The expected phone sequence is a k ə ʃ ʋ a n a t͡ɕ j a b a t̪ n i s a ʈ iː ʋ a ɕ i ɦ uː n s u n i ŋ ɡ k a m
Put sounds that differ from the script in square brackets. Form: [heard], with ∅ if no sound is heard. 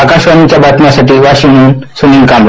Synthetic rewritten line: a k [a] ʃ ʋ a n [i] t͡ɕ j a b a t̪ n [a] s a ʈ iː ʋ a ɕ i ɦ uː n s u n i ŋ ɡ k a m